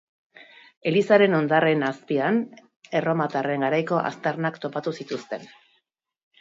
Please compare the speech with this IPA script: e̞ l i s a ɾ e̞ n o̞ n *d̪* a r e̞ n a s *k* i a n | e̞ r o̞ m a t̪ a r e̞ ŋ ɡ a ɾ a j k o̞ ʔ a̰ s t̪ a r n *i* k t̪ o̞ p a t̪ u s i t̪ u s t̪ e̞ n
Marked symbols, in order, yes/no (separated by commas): yes, no, no